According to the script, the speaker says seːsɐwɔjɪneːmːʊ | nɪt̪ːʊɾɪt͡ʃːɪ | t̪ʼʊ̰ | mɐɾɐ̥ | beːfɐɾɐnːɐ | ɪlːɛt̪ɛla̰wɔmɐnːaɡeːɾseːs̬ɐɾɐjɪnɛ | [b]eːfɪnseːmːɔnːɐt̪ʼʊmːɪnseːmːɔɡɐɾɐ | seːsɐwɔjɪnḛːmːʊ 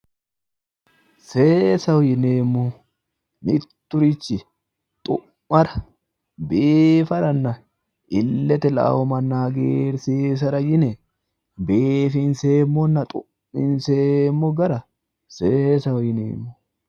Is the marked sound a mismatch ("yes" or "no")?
no